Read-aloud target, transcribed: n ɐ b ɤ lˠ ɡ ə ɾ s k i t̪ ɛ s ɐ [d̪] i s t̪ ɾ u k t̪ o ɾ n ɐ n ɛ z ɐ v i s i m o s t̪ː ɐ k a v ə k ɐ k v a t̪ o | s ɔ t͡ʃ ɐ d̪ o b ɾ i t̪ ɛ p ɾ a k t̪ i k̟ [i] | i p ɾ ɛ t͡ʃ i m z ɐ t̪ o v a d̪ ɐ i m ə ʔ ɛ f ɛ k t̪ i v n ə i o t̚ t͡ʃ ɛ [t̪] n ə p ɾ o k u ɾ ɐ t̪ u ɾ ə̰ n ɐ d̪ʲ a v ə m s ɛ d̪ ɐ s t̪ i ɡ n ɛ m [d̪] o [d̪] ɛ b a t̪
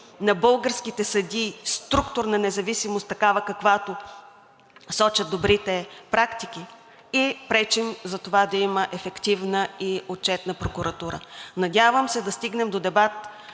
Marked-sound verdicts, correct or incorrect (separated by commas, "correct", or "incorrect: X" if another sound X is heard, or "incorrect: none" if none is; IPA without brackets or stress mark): correct, correct, correct, correct, correct